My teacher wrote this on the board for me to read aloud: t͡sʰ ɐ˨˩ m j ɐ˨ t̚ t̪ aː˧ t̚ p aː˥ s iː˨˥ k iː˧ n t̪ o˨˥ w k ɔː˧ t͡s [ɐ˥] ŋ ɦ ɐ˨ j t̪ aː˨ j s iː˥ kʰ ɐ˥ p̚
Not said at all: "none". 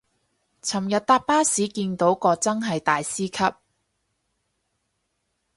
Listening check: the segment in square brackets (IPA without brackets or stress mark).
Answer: ɐ˥